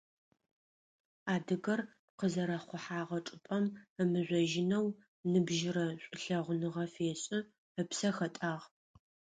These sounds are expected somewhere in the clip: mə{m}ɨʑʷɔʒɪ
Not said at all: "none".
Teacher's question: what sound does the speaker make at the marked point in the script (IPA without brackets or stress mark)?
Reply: m